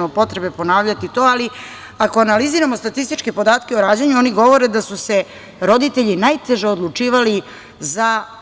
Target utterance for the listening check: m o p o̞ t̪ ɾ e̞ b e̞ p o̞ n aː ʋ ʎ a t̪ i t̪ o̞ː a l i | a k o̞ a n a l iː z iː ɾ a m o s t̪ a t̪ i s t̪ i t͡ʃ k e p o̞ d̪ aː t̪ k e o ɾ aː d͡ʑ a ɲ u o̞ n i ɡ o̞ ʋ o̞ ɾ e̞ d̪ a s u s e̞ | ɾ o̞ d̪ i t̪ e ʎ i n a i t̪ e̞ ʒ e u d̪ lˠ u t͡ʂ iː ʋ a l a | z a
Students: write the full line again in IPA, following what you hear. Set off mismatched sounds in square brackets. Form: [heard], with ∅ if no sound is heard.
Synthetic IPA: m o p o̞ t̪ ɾ e̞ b e̞ p o̞ n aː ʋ ʎ a t̪ i t̪ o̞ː a l i | a k o̞ a n a l [i] z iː ɾ a m o s t̪ a t̪ i s t̪ i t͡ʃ k e p o̞ d̪ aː t̪ k e o ɾ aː d͡ʑ a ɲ u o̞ n i ɡ o̞ ʋ o̞ ɾ e̞ d̪ a s u s e̞ | ɾ o̞ d̪ i t̪ e ʎ i n a [j] t̪ e̞ ʒ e [o] d̪ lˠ u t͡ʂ iː ʋ a l [i] | z a